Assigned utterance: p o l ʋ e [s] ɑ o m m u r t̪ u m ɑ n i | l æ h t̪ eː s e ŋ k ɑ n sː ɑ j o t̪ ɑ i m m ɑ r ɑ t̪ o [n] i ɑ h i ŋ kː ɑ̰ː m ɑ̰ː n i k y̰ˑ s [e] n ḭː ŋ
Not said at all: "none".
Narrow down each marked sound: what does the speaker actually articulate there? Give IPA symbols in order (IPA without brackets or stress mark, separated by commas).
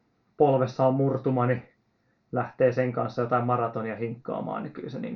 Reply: sː, n, e